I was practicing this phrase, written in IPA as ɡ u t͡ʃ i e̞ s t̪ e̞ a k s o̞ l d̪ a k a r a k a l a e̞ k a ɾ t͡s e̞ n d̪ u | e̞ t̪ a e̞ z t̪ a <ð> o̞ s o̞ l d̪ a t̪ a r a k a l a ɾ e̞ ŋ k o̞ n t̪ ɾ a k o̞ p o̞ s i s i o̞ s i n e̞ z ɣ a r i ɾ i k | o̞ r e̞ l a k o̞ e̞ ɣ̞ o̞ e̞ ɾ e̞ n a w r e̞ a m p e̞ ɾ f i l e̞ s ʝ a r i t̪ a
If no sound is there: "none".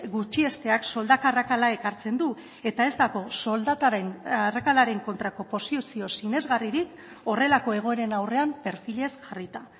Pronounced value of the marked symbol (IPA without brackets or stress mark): ɣ